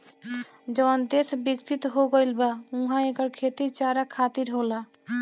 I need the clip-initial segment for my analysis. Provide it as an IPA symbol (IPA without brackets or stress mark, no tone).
d͡ʒ